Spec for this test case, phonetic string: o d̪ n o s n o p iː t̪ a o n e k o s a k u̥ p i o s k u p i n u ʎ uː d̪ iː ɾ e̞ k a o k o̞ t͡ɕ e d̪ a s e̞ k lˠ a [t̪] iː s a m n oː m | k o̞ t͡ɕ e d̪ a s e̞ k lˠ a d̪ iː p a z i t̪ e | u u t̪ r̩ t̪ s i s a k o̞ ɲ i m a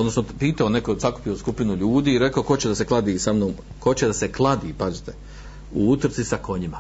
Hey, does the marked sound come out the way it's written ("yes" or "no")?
no